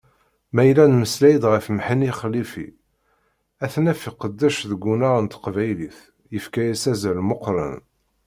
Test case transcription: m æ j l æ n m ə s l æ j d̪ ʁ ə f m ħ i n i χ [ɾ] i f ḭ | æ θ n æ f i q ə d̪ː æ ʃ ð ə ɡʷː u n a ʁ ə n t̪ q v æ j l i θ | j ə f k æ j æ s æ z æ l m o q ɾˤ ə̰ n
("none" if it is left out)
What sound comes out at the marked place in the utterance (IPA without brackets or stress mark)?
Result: l